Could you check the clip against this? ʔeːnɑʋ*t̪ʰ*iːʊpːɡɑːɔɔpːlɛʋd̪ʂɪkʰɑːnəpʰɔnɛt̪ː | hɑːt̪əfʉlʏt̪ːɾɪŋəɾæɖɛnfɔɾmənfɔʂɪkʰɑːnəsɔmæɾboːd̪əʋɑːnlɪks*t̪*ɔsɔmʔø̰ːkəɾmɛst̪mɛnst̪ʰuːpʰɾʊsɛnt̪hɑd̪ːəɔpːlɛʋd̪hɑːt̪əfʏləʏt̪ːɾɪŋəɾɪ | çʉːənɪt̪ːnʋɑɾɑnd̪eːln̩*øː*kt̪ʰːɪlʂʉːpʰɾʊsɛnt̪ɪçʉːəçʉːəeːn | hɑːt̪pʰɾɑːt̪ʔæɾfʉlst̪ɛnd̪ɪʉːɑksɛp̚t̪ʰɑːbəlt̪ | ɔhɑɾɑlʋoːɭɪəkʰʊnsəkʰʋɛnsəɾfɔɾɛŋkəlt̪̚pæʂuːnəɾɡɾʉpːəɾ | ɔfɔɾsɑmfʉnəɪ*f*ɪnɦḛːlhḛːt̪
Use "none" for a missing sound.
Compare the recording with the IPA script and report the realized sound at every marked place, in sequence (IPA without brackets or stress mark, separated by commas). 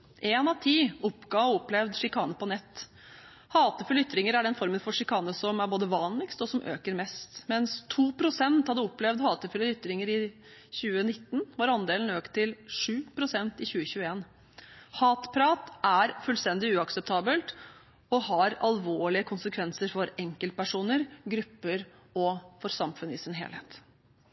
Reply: t̪ʰ, t̪, øː, s